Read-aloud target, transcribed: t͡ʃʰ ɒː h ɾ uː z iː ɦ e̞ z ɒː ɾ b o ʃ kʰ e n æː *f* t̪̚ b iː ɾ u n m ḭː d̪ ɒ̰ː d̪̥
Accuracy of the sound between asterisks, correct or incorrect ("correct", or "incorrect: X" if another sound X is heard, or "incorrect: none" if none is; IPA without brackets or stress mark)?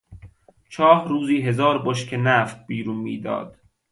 correct